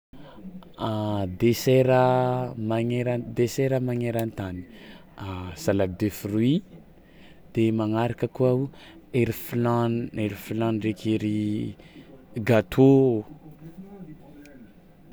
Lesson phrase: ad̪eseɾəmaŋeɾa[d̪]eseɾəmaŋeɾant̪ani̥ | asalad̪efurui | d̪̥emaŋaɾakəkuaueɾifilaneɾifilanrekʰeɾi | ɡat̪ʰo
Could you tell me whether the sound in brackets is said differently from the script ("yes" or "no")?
no